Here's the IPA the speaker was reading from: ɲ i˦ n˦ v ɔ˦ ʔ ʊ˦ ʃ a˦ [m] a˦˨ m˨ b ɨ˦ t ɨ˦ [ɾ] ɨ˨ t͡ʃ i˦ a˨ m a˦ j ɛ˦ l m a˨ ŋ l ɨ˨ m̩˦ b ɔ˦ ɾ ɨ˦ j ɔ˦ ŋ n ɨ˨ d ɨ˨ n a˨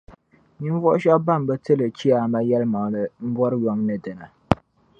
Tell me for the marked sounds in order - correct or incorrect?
incorrect, incorrect

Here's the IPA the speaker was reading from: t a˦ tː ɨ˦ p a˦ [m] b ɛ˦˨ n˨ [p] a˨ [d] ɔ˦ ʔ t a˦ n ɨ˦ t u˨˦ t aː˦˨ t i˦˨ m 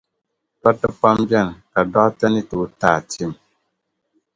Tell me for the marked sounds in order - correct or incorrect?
correct, incorrect, correct

